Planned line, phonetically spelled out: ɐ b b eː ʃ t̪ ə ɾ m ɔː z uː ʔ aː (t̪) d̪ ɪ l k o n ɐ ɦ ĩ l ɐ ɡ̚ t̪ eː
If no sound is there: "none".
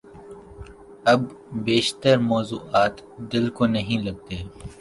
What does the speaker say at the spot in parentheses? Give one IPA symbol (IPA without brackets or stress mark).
t̪